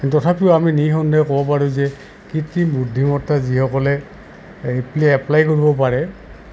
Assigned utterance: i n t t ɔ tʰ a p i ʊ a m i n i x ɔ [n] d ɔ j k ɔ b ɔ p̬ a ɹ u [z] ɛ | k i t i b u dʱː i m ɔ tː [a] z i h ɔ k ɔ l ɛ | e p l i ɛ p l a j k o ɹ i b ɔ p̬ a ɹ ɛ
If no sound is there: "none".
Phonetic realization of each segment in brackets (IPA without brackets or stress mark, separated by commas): n, z, a